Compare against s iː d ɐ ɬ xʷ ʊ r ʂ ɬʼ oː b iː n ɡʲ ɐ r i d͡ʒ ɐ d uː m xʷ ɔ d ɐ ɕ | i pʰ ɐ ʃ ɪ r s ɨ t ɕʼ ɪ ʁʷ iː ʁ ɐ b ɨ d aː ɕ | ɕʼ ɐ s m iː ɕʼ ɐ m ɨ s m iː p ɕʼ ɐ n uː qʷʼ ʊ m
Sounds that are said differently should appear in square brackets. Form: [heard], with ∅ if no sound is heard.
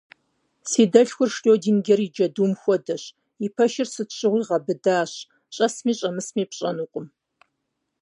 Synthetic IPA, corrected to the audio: s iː d ɐ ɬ xʷ ʊ r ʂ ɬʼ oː [d] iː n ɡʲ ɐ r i d͡ʒ ɐ d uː m xʷ ɔ d ɐ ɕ | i pʰ ɐ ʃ ɪ r s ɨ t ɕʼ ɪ ʁʷ iː ʁ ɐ b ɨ d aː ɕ | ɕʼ ɐ s m iː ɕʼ ɐ m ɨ s m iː p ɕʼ ɐ n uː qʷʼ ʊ m

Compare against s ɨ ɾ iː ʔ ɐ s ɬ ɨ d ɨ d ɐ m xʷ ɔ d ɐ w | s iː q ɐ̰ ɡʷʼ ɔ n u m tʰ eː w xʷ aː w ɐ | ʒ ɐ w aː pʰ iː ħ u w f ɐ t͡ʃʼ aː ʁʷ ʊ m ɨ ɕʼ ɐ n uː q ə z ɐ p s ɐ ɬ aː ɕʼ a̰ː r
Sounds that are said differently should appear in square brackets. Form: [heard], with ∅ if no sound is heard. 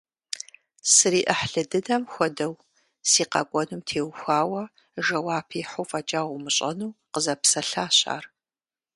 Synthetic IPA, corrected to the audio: s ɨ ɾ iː ʔ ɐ [ħ] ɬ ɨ d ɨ d ɐ m xʷ ɔ d ɐ w | s iː q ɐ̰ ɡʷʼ ɔ n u m tʰ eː w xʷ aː w ɐ | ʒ ɐ w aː pʰ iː ħ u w f ɐ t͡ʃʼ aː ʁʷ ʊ m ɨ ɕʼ ɐ n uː q ə z ɐ p s ɐ ɬ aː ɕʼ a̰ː r

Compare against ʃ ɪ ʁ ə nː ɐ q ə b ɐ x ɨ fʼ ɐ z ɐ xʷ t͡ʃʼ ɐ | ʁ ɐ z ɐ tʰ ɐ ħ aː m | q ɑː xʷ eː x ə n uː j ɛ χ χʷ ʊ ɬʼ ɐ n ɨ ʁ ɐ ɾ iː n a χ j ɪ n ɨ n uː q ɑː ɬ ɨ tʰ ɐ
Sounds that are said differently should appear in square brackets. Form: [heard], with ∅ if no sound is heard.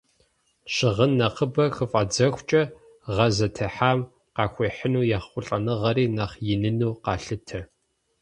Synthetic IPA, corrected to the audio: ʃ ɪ ʁ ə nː ɐ q ə b ɐ x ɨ fʼ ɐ [d͡z] ɐ xʷ t͡ʃʼ ɐ | ʁ ɐ z ɐ tʰ ɐ ħ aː m | q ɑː xʷ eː [ħ] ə n uː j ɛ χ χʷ ʊ ɬʼ ɐ n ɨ ʁ ɐ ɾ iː n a χ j ɪ n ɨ n uː q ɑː ɬ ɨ tʰ ɐ

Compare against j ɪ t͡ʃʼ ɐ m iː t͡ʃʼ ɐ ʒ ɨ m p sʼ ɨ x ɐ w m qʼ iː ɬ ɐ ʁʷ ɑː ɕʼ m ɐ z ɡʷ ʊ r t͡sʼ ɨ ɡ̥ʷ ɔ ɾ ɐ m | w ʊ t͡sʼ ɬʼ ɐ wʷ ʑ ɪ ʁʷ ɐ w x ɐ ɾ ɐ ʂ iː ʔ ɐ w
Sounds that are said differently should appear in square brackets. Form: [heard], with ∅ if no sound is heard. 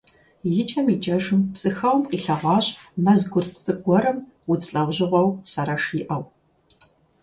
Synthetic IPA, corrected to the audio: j ɪ t͡ʃʼ ɐ m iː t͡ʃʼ ɐ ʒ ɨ m p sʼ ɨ x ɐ w m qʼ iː ɬ ɐ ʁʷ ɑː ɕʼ m ɐ z ɡʷ ʊ r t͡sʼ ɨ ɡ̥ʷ ɔ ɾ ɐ m | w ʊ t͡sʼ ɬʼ ɐ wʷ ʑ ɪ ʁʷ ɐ w [s] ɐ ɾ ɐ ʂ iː ʔ ɐ w

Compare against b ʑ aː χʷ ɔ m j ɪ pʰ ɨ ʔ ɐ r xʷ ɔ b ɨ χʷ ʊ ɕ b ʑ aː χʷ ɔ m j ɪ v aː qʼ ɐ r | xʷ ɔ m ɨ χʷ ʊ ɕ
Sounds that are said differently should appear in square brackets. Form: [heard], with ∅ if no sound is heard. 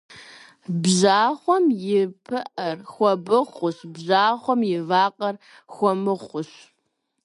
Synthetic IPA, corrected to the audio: b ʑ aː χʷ ɔ m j ɪ pʰ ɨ ʔ ɐ r xʷ ɔ b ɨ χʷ ʊ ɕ b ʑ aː χʷ ɔ m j ɪ v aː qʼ ɐ r | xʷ ɔ m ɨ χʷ ʊ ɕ

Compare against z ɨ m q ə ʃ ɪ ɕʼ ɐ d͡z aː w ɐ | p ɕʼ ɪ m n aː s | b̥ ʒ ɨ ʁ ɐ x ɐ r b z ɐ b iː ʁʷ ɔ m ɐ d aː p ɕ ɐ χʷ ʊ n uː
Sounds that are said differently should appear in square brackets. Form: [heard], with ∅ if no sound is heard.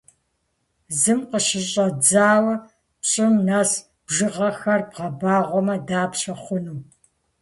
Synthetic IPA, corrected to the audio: z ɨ m q ə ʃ ɪ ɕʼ ɐ d͡z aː w ɐ | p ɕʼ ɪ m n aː s | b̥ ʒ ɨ ʁ ɐ x ɐ r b [ʁ] ɐ b [aː] ʁʷ ɔ m ɐ d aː p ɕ ɐ χʷ ʊ n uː

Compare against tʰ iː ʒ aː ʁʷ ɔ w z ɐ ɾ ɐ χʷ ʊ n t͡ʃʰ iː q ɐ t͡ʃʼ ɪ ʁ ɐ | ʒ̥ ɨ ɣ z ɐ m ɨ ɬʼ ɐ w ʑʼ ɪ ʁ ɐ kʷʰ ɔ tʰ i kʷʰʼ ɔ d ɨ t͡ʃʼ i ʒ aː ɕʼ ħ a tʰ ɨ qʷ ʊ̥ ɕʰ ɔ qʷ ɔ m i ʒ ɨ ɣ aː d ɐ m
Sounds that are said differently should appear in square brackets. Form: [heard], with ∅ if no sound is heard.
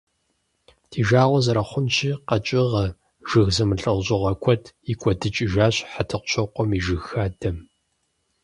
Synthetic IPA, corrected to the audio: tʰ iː ʒ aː ʁʷ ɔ [∅] z ɐ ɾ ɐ χʷ ʊ n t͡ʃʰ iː q ɐ t͡ʃʼ ɪ ʁ ɐ | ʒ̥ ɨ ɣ z ɐ m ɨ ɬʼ ɐ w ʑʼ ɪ ʁ ɐ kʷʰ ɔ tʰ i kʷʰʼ ɔ d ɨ t͡ʃʼ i ʒ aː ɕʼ ħ a tʰ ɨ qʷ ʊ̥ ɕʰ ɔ qʷ ɔ m i ʒ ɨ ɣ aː d ɐ m

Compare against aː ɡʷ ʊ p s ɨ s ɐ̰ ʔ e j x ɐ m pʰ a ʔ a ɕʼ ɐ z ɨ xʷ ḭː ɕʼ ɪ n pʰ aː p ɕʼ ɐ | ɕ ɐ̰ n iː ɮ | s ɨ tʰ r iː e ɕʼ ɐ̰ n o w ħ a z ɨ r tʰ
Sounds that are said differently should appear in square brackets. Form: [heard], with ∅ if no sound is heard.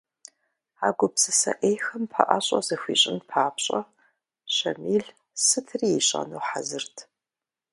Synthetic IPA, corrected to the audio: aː ɡʷ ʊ p s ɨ s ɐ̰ ʔ e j x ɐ m pʰ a ʔ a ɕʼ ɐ z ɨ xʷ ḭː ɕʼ ɪ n pʰ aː p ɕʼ ɐ | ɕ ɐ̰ [m] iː ɮ | s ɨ tʰ r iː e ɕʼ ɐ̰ n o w ħ a z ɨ r tʰ

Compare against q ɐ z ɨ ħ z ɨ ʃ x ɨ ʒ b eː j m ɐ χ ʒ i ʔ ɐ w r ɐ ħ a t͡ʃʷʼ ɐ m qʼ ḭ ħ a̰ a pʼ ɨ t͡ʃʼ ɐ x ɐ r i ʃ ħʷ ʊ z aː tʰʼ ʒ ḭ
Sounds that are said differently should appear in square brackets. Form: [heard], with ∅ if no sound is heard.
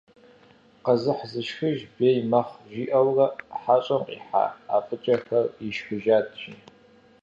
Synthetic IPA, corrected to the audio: q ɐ z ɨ ħ z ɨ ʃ x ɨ ʒ b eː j m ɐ χ ʒ i ʔ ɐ w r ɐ ħ a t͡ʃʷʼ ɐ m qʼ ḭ ħ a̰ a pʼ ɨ t͡ʃʼ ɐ x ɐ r i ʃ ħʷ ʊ [ʒ] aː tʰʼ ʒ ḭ

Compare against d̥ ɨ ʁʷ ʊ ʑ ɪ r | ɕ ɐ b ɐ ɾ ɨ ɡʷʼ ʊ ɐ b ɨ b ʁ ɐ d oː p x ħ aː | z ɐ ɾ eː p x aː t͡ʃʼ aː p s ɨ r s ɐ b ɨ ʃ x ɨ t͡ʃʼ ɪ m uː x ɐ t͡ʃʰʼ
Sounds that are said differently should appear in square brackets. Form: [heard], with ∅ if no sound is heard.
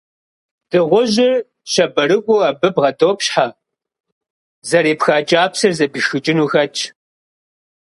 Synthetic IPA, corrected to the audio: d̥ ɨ ʁʷ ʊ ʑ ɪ r | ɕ ɐ b ɐ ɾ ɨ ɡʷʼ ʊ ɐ b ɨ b ʁ ɐ d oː p [ɕ] ħ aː | z ɐ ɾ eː p x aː t͡ʃʼ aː p s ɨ r [z] ɐ b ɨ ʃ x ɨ t͡ʃʼ ɪ [n] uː x ɐ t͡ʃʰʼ

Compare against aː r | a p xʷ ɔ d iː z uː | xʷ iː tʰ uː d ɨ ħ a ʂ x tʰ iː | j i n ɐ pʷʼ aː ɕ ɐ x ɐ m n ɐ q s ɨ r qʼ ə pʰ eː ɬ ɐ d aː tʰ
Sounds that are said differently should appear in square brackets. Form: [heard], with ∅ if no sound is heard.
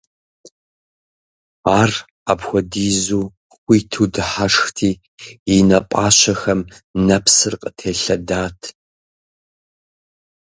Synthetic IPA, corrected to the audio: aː r | a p xʷ ɔ d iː z uː | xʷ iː tʰ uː d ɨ ħ a ʂ x tʰ iː | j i n ɐ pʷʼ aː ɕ ɐ x ɐ m n ɐ [p] s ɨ r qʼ ə [tʰ] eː ɬ ɐ d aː tʰ

